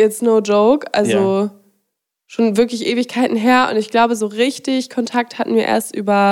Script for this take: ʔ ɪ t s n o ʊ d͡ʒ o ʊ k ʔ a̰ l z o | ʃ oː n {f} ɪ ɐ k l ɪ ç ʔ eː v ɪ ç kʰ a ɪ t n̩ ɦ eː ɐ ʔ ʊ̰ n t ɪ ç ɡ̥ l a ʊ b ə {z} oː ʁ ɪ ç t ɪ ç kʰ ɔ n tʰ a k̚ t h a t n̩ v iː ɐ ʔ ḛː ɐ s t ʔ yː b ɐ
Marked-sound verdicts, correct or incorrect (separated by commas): incorrect, correct